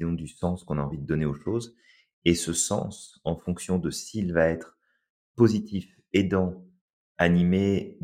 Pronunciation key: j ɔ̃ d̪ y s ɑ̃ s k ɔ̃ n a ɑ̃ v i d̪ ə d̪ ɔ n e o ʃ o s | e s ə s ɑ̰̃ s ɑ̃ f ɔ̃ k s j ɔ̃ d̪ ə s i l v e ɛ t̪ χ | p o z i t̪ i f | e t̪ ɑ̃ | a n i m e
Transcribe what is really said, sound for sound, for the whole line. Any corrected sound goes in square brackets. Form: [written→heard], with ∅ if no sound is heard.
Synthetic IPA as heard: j ɔ̃ d̪ y s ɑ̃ s k ɔ̃ n a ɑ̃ v i d̪ ə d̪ ɔ n e o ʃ o [s→z] | e s ə s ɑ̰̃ s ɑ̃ f ɔ̃ k s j ɔ̃ d̪ ə s i l v [e→a] ɛ t̪ χ | p o z i t̪ i f | e [t̪→d̪] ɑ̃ | a n i m e